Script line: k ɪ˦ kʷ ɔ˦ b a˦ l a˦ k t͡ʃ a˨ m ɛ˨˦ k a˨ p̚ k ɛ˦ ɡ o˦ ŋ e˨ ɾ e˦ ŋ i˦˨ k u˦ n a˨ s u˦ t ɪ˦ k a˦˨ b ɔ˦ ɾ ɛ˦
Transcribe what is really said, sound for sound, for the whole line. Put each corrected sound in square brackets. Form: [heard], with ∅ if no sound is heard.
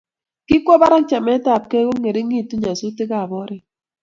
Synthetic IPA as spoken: k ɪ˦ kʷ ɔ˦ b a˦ [ɾ] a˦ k t͡ʃ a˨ m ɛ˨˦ [t] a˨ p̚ k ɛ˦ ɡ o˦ ŋ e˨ ɾ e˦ ŋ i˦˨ [t] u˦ [ɲ] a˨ s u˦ t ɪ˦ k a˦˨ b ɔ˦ ɾ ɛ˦